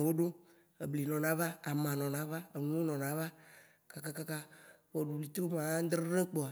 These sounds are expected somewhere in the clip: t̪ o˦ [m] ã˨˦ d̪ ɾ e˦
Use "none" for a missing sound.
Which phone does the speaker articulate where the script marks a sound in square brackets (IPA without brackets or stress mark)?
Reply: m